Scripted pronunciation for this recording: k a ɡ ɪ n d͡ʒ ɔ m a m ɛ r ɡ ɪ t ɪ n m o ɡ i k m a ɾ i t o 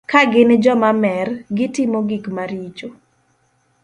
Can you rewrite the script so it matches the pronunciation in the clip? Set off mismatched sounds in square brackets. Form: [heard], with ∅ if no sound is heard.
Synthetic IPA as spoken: k a ɡ ɪ n d͡ʒ ɔ m a m ɛ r ɡ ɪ t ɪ [∅] m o ɡ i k m a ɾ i [t͡ʃ] o